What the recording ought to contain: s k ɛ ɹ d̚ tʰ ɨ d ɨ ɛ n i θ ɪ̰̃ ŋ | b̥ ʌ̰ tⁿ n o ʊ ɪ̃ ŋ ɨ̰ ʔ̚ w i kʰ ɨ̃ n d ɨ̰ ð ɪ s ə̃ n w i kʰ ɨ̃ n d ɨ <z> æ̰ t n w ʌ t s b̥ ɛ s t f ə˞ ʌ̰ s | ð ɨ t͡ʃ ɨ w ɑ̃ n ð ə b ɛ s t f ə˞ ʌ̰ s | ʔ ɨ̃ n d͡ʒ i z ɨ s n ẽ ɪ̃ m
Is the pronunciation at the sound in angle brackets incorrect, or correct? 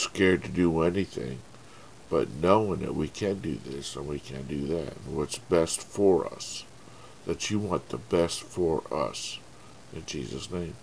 incorrect